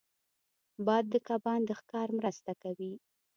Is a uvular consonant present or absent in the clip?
absent